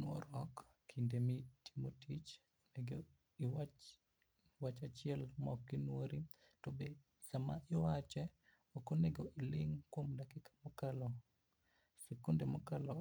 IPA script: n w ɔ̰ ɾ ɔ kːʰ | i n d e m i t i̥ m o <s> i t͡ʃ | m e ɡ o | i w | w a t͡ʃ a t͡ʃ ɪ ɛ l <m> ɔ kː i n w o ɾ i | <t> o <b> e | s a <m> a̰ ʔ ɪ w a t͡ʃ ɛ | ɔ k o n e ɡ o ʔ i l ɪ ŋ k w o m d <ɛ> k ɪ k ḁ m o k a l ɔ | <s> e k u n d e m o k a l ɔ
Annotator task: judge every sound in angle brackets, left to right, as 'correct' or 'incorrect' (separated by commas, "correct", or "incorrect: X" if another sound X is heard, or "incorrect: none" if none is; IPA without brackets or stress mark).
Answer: incorrect: t, correct, correct, correct, correct, incorrect: a, correct